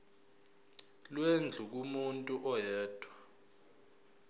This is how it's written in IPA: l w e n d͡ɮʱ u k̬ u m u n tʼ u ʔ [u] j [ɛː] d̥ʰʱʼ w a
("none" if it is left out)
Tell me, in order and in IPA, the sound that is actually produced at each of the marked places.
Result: ɔ, ɛː

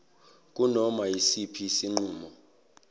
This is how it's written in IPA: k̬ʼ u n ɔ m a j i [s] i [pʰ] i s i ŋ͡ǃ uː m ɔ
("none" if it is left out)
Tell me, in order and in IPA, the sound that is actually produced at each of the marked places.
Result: s, pʰ

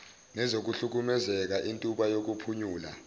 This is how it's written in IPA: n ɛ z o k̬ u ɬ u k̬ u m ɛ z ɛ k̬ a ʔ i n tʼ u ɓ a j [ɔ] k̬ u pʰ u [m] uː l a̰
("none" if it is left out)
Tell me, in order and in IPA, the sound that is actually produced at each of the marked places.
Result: o, ɲ

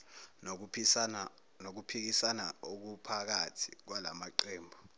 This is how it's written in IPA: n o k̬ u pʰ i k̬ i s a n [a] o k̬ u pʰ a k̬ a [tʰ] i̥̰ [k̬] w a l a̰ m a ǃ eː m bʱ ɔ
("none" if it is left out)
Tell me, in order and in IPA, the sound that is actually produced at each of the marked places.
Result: a, tʰ, k̬

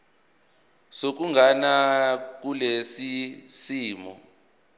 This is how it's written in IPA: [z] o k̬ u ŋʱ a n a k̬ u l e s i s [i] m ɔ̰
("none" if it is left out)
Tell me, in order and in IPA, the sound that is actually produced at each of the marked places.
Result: s, iː

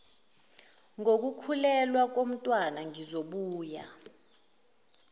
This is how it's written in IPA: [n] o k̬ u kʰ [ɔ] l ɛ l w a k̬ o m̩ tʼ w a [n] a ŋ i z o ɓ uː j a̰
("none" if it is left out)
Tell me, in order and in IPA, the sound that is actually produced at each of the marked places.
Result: ŋ, u, n

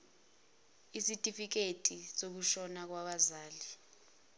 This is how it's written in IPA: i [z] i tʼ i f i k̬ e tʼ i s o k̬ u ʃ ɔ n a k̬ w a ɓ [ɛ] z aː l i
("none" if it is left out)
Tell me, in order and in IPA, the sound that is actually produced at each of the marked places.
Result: s, a

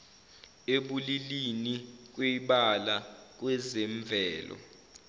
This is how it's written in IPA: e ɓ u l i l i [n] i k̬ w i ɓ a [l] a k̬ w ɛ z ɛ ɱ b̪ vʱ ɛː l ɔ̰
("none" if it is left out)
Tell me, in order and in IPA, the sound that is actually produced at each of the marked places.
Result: n, l

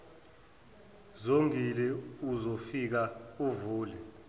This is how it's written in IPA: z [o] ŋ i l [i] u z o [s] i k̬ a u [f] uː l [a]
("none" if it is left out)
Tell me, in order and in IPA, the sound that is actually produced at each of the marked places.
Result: o, ɛ, f, v, ɛ

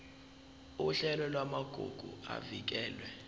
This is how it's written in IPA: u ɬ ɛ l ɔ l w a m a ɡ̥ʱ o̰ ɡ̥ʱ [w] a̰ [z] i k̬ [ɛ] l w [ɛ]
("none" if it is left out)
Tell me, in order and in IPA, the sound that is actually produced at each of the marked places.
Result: u, v, ɛː, ɛ

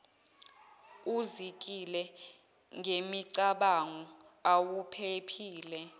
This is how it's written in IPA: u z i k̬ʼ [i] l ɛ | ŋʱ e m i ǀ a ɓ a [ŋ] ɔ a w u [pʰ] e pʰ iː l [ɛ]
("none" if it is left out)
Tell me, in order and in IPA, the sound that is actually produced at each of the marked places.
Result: i, ŋ, pʰ, ɛ

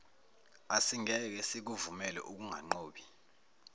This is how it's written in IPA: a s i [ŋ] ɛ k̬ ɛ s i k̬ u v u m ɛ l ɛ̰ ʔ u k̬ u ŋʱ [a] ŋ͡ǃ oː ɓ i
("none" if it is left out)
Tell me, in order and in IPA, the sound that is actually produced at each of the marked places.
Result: ŋ, a

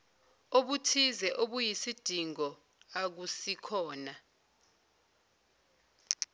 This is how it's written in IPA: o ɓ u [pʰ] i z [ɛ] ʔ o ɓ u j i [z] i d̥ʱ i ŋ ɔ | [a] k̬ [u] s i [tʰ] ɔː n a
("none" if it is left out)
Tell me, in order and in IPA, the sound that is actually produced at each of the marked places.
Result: tʰ, ɛ, s, a, u, kʰ

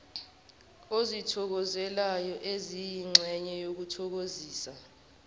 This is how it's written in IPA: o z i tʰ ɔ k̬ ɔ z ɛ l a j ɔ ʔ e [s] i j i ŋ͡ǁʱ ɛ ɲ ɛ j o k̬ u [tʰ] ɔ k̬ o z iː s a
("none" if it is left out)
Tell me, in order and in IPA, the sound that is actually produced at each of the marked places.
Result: z, tʰ

